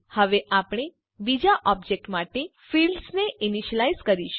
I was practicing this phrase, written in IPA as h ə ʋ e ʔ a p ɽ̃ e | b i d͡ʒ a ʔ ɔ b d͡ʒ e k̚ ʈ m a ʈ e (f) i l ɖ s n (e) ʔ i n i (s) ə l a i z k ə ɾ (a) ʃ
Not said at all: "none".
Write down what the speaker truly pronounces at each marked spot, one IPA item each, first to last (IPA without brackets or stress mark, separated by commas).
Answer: f, e, ʃ, i